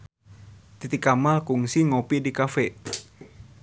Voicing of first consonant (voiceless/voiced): voiceless